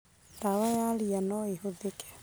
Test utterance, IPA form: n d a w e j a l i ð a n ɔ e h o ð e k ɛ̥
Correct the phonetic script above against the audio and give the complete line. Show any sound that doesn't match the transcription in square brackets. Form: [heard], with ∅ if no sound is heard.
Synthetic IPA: n d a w [a] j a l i [∅] a n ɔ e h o ð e k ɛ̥